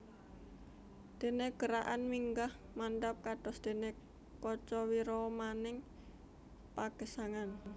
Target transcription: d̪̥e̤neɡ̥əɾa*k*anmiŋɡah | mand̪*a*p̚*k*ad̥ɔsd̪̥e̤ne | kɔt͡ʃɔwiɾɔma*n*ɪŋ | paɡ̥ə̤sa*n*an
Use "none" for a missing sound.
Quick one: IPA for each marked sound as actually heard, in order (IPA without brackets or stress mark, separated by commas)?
ʔ, a, k, n, ŋ